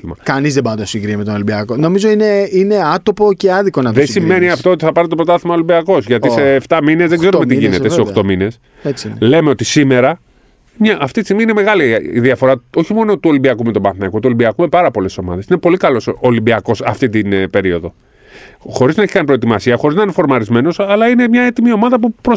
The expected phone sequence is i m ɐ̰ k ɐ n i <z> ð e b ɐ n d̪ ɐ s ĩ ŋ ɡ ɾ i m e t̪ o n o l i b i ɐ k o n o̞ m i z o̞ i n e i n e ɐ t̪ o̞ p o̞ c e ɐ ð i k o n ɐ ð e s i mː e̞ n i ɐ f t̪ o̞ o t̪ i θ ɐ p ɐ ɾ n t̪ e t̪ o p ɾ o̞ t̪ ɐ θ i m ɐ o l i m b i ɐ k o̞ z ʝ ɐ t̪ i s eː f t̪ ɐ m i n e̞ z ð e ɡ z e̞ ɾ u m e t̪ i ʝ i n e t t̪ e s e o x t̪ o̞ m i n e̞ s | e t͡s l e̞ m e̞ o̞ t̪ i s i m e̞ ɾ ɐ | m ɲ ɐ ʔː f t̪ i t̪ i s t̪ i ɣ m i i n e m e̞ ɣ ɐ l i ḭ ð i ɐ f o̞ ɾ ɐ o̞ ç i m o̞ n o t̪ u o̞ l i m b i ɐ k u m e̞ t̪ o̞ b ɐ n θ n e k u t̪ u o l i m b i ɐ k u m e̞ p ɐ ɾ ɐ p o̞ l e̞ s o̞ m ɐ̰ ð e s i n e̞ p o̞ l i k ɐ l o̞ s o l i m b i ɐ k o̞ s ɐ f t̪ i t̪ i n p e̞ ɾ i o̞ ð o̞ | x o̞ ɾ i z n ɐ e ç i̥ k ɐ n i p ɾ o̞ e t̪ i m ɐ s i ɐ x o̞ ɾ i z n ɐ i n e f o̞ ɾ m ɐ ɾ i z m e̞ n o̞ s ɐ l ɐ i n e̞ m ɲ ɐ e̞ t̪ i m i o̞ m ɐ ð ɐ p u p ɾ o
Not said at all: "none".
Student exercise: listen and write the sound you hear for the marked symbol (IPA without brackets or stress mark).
z